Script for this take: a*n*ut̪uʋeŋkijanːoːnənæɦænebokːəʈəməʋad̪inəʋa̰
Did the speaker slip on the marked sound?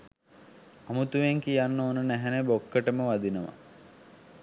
yes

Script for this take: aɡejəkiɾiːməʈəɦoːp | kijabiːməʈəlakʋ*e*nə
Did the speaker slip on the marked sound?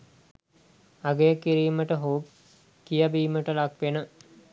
no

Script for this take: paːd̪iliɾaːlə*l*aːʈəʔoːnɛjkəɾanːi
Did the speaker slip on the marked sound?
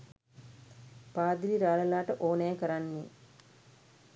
no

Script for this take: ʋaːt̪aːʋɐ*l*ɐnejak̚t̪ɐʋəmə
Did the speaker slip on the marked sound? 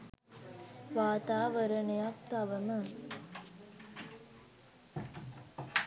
yes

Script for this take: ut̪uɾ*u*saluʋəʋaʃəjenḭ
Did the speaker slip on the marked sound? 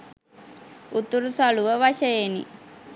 no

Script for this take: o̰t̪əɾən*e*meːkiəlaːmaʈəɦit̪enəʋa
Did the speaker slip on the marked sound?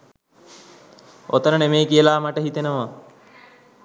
no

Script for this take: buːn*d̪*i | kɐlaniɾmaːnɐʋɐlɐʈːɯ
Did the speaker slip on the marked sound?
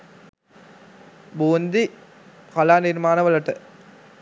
no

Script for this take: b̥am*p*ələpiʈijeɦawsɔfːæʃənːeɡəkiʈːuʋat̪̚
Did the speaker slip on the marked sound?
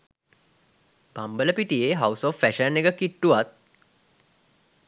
yes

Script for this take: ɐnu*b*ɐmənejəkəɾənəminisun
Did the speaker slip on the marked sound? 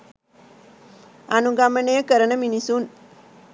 yes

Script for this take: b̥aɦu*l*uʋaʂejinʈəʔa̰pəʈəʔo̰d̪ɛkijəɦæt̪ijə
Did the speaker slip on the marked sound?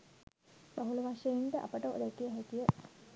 no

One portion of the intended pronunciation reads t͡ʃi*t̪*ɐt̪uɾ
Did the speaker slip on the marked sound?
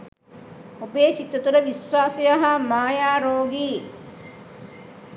no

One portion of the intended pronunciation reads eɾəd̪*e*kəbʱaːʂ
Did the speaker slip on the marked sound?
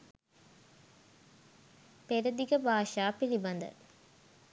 yes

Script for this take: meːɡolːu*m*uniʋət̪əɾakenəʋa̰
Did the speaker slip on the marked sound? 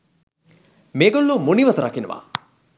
no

